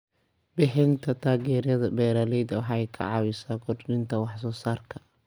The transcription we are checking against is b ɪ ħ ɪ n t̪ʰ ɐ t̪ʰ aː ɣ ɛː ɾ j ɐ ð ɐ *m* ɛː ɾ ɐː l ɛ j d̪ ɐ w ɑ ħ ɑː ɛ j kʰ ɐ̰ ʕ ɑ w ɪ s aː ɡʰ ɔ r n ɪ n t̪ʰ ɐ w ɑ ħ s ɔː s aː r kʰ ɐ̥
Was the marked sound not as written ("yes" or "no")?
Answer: yes